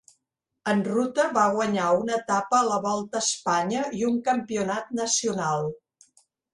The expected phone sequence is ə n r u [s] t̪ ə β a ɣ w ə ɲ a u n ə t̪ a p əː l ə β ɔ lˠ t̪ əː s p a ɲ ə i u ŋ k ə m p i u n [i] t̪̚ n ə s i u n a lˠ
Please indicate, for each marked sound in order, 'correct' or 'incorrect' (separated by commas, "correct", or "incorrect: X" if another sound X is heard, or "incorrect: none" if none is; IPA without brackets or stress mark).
incorrect: none, incorrect: a